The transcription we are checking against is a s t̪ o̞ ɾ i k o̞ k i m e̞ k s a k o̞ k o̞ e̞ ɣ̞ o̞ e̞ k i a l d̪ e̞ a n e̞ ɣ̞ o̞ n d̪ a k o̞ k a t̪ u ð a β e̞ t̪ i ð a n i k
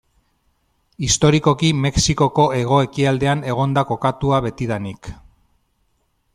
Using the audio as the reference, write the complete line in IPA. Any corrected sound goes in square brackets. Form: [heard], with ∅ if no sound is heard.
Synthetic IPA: [i] s t̪ o̞ ɾ i k o̞ k i m e̞ k s [i] k o̞ k o̞ e̞ ɣ̞ o̞ e̞ k i a l d̪ e̞ a n e̞ ɣ̞ o̞ n d̪ a k o̞ k a t̪ u [∅] a β e̞ t̪ i ð a n i k

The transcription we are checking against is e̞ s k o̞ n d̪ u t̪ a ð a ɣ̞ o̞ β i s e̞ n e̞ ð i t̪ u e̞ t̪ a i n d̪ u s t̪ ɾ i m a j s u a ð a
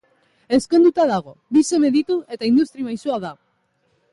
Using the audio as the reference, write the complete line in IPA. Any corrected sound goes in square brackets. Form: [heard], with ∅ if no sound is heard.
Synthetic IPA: e̞ s k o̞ n d̪ u t̪ a ð a ɣ̞ o̞ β i s e̞ [m] e̞ ð i t̪ u e̞ t̪ a i n d̪ u s t̪ ɾ i m a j s u a ð a

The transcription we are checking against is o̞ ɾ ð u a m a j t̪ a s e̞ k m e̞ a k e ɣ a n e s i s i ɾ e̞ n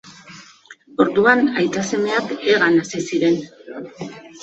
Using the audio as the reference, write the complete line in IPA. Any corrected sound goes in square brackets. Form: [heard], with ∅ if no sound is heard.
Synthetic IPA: o̞ ɾ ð u a [n] a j t̪ a s e̞ [∅] m e̞ a k e ɣ a n [a] s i s i ɾ e̞ n

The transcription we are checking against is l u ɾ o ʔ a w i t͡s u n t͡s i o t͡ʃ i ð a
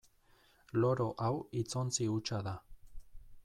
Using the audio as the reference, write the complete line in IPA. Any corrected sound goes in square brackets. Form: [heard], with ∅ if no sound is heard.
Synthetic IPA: l [o] ɾ o ʔ a w i t͡s [o] n t͡s i [u] t͡ʃ [a] ð a

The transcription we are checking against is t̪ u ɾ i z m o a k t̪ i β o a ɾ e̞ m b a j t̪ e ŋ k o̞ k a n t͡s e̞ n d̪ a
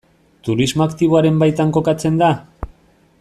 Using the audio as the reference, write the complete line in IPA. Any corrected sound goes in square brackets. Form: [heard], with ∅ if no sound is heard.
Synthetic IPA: t̪ u ɾ i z m o a k t̪ i β o a ɾ e̞ m b a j t̪ [a] ŋ k o̞ k a [∅] t͡s e̞ n d̪ a

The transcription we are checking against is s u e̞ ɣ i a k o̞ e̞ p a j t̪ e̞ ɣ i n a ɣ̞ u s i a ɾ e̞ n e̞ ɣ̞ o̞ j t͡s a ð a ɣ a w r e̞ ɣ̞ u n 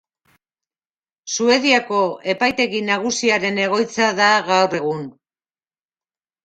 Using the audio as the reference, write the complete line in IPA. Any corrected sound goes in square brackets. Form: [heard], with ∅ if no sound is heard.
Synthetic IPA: s u e̞ [ð] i a k o̞ e̞ p a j t̪ e̞ ɣ i n a ɣ̞ u s i a ɾ e̞ n e̞ ɣ̞ o̞ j t͡s a ð a ɣ a w r e̞ ɣ̞ u n

